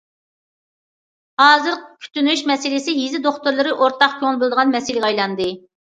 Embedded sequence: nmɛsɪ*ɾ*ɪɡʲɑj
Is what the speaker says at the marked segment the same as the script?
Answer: no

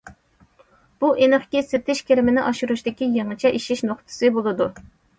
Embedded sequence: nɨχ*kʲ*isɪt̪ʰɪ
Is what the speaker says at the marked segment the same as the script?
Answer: yes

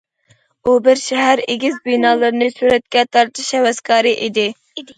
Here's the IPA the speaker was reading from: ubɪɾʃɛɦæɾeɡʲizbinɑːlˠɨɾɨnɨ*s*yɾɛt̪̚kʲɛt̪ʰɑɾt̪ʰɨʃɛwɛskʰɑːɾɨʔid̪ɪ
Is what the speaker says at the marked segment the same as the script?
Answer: yes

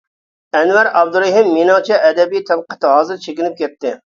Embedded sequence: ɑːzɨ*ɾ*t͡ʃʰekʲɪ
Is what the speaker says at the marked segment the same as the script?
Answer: yes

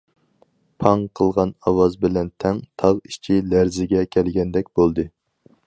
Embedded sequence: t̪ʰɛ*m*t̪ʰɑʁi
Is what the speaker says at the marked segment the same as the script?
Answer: no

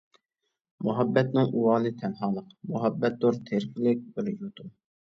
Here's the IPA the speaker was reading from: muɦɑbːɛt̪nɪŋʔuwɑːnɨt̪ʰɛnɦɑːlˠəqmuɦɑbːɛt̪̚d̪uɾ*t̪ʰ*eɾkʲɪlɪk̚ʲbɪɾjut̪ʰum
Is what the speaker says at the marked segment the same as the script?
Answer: yes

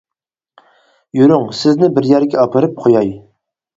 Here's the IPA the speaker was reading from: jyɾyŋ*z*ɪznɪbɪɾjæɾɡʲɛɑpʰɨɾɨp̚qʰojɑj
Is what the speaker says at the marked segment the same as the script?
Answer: no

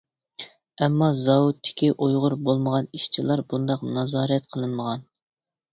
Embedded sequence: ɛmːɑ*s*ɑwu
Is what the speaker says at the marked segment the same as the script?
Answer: no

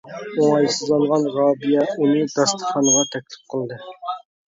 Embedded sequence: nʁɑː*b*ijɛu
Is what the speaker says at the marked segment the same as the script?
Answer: yes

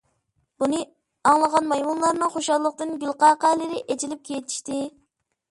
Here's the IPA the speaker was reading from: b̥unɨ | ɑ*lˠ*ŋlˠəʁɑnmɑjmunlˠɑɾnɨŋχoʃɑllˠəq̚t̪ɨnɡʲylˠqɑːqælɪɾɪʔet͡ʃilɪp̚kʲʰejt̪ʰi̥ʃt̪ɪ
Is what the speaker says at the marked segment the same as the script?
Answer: no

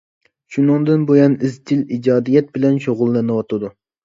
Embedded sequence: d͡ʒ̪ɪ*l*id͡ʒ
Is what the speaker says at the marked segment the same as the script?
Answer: yes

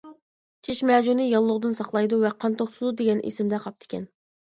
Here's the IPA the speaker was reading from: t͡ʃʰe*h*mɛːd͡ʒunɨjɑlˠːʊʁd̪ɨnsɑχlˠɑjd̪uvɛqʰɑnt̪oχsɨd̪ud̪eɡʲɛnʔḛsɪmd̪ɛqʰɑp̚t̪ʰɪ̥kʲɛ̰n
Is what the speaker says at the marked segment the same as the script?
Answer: no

